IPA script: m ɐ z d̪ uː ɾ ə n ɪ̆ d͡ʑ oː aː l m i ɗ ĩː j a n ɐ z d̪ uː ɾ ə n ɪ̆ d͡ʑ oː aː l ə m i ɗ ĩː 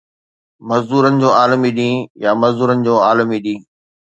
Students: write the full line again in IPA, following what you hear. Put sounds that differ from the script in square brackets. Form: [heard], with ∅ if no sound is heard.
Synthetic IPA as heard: m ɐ z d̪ uː ɾ ə n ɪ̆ d͡ʑ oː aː l m i ɗ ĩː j a [m] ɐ z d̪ uː ɾ ə n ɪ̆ d͡ʑ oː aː l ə m i ɗ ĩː